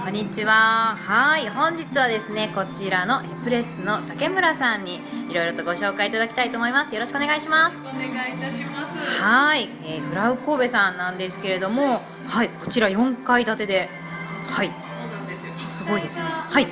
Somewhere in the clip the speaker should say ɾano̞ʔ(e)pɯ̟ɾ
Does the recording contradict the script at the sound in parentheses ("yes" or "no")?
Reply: no